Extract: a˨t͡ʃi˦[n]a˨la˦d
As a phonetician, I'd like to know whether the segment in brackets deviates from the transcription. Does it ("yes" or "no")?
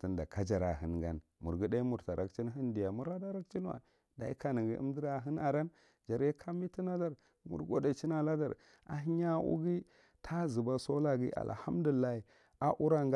no